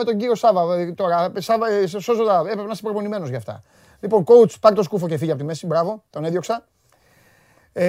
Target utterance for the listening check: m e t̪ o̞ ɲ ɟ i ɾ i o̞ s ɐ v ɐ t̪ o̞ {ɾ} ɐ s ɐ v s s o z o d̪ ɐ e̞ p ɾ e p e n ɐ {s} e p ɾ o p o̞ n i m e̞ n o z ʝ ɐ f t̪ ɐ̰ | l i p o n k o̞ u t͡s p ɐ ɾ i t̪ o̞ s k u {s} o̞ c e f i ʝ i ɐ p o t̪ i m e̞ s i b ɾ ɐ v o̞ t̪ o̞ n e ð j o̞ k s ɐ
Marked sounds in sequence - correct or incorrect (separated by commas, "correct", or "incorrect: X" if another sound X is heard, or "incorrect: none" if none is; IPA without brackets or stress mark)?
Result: correct, correct, incorrect: f